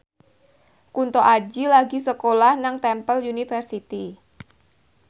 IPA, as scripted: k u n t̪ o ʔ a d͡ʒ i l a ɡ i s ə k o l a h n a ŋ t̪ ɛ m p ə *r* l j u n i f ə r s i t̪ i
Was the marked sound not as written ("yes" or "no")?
yes